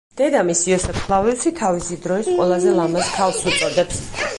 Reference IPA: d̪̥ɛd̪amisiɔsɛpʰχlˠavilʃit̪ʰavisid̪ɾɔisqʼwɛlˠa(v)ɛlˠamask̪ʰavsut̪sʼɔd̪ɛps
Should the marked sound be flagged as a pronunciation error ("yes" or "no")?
yes